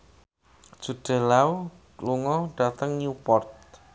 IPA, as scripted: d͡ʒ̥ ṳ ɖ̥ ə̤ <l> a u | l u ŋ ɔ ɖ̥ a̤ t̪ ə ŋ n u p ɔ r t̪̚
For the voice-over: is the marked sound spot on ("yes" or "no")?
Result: yes